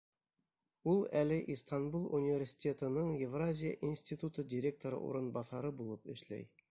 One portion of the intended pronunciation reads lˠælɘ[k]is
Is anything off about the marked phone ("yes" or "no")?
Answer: yes